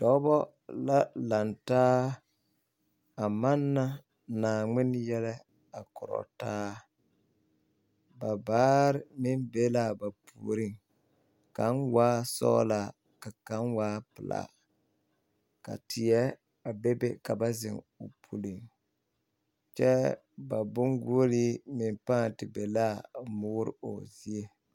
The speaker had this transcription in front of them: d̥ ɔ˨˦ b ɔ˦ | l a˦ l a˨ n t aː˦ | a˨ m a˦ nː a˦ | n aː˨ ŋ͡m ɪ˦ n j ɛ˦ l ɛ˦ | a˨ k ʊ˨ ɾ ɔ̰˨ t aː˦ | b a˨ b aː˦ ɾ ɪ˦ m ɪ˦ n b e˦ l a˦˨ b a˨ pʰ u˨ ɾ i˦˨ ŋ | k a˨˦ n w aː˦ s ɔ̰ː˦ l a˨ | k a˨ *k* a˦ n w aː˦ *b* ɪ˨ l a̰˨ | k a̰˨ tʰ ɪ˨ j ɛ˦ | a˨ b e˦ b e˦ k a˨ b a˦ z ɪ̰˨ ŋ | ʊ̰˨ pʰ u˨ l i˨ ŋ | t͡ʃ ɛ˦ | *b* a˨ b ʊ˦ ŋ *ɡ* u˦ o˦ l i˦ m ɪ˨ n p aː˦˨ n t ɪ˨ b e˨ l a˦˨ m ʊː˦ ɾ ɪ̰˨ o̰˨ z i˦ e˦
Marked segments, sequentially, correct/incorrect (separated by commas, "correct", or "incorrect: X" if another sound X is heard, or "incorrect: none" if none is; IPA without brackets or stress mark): correct, incorrect: p, correct, correct